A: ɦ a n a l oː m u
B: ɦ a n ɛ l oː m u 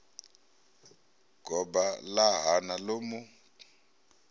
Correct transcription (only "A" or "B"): A